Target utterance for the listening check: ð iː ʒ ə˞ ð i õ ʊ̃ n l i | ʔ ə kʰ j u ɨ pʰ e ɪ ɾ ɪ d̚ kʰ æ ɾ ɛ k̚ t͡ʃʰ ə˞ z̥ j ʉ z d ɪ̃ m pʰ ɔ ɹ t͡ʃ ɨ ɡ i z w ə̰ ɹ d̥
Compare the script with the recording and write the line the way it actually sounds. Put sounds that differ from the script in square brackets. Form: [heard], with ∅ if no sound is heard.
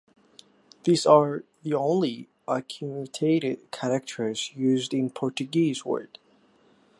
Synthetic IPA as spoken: ð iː [z] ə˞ ð i õ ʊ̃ n l i | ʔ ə kʰ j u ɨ [tʰ] e ɪ ɾ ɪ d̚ kʰ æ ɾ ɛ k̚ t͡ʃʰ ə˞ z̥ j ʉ z d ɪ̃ [n] pʰ ɔ ɹ t͡ʃ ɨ ɡ i z w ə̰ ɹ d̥

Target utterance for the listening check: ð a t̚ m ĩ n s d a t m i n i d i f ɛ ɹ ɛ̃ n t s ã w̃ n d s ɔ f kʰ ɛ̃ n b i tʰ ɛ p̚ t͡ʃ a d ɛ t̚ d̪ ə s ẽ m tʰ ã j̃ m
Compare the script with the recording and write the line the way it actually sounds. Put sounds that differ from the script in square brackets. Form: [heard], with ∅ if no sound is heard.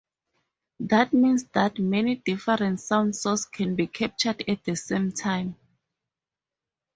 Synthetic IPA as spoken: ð a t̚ m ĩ n s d a t m [ɛ] n i d i f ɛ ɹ ɛ̃ n t s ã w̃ n d s ɔ [s] kʰ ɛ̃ n b i [kʰ] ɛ p̚ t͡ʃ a d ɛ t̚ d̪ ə s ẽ m tʰ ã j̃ m

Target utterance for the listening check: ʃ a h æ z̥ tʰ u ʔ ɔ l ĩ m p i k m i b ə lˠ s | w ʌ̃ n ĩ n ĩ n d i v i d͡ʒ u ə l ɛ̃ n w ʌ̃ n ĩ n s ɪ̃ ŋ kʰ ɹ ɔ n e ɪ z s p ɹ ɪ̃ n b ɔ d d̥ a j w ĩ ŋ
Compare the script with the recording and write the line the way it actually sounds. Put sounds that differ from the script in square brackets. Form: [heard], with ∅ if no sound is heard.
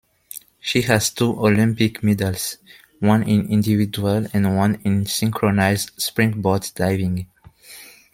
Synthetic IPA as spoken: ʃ [i] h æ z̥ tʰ u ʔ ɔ l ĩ m p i k m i [d] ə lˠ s | w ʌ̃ n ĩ n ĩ n d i v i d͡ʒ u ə l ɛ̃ n w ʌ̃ n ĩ n s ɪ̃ ŋ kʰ ɹ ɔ n [a] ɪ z s p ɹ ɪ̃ [ŋ] b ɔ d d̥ a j [v] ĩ ŋ

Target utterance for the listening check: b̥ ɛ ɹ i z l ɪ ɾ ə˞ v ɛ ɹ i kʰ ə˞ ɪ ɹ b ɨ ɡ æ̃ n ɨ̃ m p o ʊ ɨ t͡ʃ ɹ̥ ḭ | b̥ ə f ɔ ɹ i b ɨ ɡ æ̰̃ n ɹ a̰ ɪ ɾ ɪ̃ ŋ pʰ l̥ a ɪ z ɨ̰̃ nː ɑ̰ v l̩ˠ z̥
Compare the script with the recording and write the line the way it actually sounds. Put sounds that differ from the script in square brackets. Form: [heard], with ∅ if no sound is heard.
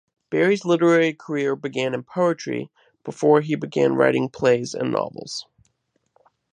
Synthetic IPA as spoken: b̥ ɛ ɹ i z l ɪ ɾ ə˞ [∅] ɛ ɹ i kʰ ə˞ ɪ ɹ b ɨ ɡ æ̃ n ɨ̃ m [pʰ] o ʊ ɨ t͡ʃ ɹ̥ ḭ | b̥ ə f ɔ ɹ i b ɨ ɡ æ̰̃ n ɹ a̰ ɪ ɾ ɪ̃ ŋ pʰ l̥ [e] ɪ z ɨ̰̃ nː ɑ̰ v l̩ˠ z̥

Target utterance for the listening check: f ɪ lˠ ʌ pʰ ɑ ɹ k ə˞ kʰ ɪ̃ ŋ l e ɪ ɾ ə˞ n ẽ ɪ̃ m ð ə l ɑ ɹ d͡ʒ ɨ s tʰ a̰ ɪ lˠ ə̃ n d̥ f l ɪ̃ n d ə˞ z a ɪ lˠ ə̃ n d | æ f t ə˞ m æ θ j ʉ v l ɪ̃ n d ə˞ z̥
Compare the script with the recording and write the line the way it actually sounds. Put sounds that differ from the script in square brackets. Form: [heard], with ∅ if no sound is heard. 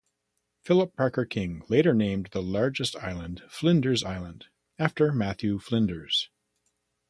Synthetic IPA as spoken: f ɪ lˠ [ə] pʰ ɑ ɹ k ə˞ kʰ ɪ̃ ŋ l e ɪ ɾ ə˞ n ẽ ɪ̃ m ð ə l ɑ ɹ d͡ʒ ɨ s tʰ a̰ ɪ lˠ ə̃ n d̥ f l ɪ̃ n d ə˞ z a ɪ lˠ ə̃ n d | æ f t ə˞ m æ θ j ʉ [f] l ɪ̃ n d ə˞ z̥

